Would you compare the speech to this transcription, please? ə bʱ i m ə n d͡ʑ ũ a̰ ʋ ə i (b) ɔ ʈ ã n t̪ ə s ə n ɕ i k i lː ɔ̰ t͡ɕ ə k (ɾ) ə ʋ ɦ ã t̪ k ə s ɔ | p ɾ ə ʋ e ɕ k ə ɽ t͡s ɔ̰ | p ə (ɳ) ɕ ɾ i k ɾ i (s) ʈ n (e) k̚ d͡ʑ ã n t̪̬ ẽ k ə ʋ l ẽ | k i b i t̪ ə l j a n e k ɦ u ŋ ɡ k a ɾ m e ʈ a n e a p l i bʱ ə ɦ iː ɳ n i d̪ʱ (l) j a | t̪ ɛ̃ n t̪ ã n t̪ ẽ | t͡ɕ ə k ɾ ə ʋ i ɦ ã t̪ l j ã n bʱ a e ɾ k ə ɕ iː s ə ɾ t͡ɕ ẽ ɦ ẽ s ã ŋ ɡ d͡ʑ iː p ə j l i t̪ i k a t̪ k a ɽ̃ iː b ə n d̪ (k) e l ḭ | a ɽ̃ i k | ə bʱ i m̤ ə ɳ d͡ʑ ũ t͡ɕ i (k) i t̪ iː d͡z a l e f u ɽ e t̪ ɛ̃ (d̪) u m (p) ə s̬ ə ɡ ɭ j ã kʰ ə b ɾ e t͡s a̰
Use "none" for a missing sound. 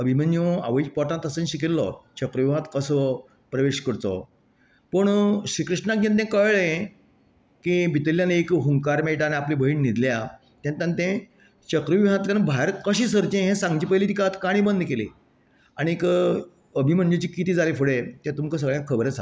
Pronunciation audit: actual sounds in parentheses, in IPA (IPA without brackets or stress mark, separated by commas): p, ɾ, ɳ, ʂ, a, l, k, k, t̪, k